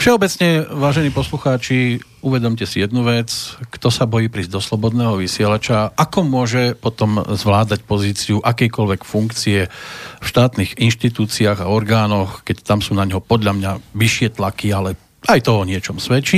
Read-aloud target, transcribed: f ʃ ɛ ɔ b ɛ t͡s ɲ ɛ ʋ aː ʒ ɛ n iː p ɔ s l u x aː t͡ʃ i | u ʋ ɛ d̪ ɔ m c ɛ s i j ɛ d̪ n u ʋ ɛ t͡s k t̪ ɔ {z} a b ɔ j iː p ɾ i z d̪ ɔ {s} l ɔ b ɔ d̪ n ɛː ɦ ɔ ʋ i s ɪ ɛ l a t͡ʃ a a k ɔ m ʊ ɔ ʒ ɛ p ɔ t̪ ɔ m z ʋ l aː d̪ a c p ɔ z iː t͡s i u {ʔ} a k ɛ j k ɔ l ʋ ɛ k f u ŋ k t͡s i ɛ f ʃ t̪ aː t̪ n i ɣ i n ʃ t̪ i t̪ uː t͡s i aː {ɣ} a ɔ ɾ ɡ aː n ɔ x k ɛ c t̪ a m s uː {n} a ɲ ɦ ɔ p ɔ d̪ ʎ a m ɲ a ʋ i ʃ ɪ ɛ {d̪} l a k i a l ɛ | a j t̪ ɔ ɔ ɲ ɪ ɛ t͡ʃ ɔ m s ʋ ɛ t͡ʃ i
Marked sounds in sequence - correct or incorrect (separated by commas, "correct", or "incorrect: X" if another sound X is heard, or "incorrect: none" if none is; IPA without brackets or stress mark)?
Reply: incorrect: s, correct, correct, correct, correct, incorrect: t̪